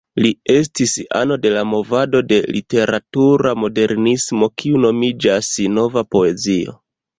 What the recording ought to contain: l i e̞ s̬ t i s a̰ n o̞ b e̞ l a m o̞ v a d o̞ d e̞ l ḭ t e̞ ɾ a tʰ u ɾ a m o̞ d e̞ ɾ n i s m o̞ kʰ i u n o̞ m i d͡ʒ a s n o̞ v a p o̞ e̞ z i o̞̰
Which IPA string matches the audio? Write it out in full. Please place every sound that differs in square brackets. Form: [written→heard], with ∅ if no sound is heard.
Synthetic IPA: l i e̞ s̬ t i s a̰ n o̞ [b→d] e̞ l a m o̞ v a d o̞ d e̞ l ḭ t e̞ ɾ a [tʰ→t] u ɾ a m o̞ d e̞ ɾ n i s m o̞ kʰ i u n o̞ m i d͡ʒ a s n o̞ v a p o̞ e̞ z i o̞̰